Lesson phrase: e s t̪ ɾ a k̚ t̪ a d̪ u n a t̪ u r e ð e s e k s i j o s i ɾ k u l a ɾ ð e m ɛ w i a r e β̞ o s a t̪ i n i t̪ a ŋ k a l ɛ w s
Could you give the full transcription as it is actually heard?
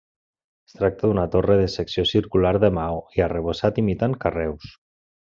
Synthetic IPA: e s t̪ ɾ a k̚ t̪ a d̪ u n a t̪ o r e ð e s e k s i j o s i ɾ k u l a ɾ ð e m a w i a r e β̞ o s a t̪ i m i t̪ a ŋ k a r ɛ w s

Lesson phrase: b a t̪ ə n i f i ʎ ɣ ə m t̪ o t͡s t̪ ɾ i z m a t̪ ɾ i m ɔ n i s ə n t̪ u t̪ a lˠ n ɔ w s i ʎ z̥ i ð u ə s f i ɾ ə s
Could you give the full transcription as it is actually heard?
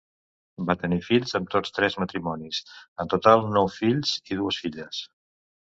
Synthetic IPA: b a t̪ ə n i f i ʎ z ə m t̪ o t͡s t̪ ɾ ɛ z m ə t̪ ɾ i m ɔ n i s ə n t̪ u t̪ a lˠ n ɔ w f i ʎ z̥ i ð u ə s f i ʎ ə s

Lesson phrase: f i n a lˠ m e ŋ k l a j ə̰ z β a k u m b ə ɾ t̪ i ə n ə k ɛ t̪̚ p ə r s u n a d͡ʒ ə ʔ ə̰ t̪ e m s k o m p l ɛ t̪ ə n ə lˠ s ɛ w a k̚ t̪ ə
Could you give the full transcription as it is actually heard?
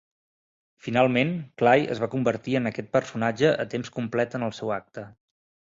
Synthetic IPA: f i n a lˠ m e n k l a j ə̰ z β a k u m b ə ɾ t̪ i ə n ə k ɛ t̪̚ p ə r s u n a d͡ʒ ə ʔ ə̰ t̪ e m s k u m p l ɛ t̪ ə n ə lˠ s ɛ w a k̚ t̪ ə

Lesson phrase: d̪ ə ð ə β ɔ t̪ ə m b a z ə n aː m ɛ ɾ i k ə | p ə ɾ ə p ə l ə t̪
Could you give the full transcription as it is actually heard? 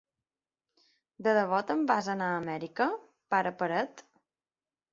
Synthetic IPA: d̪ ə ð ə β ɔ t̪ ə m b a z ə n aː m ɛ ɾ i k ə | p a ɾ ə p ə ɾ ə t̪

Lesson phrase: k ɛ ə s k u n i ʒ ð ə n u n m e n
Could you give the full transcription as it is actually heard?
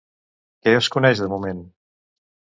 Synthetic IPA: k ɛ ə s k u n ɛ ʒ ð ə m u m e n

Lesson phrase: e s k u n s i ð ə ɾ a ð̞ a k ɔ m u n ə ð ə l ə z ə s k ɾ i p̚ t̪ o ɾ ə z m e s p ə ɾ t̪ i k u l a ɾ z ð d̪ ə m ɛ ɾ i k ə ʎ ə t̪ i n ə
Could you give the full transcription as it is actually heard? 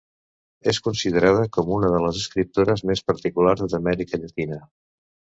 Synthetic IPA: e s k u n s i ð ə ɾ a ð̞ ə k ɔ m u n ə ð ə l ə z ə s k ɾ i p̚ t̪ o ɾ ə z m e s p ə ɾ t̪ i k u l a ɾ z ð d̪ ə m ɛ ɾ i k ə ʎ ə t̪ i n ə

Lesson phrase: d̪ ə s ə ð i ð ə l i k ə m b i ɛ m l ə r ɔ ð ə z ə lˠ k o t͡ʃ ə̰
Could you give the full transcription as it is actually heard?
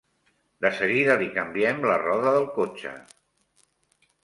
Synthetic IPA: d̪ ə s ə ɣ i ð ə l i k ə m b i ɛ m l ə r ɔ ð ə ð ə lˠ k o t͡ʃ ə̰

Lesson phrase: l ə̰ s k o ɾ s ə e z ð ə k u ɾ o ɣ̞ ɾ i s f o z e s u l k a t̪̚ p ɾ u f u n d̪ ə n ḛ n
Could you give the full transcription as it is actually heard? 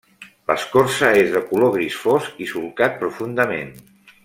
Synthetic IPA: l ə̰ s k o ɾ s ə e z ð ə k u l o ɣ̞ ɾ i s f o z i s u l k a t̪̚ p ɾ u f u n d̪ ə m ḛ n

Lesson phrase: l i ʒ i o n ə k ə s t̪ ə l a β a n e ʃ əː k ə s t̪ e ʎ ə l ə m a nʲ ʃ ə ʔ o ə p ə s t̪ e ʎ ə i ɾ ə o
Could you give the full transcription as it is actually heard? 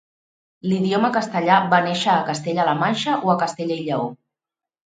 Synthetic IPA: l i ð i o m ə k ə s t̪ ə ʎ a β a n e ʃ əː k ə s t̪ e ʎ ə l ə m a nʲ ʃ ə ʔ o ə k ə s t̪ e ʎ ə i ʎ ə o

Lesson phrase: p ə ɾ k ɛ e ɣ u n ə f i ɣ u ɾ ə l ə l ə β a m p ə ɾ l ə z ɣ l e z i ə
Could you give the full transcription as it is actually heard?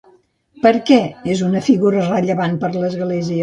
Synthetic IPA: p ə ɾ k ɛ e z u n ə f i ɣ u ɾ ə r ə ʎ ə β a n p ə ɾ l ə z ɣ l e z i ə

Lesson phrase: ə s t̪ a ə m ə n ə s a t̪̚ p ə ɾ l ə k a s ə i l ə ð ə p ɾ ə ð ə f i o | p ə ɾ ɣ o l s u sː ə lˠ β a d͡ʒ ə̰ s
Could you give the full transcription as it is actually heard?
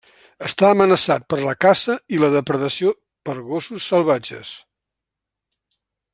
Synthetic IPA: ə s t̪ a ə m ə n ə s a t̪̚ p ə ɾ l ə k a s ə i l ə ð ə p ɾ ə ð ə s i o | p ə ɾ ɣ o s u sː ə lˠ β a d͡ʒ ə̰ s

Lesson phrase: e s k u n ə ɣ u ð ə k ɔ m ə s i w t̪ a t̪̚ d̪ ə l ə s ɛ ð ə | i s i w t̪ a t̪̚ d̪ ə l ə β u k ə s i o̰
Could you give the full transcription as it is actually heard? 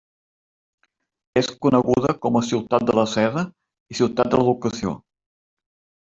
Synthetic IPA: e s k u n ə ɣ u ð ə k ɔ m ə s i w t̪ a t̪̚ d̪ ə l ə s ɛ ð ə | i s i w t̪ a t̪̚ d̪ ə l ə β u k ə s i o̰

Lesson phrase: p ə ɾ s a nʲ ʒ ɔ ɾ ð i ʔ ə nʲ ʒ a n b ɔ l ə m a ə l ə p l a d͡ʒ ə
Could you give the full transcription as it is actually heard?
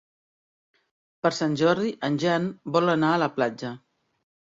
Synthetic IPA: p ə ɾ s a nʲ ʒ ɔ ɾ ð i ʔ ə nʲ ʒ a n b ɔ l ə n a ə l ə p l a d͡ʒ ə

